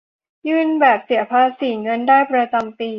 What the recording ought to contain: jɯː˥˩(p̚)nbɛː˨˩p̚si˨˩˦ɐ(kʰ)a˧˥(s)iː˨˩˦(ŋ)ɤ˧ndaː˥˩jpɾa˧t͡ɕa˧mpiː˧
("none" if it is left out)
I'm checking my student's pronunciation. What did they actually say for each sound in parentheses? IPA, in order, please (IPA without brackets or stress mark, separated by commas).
none, pʰ, s, ŋ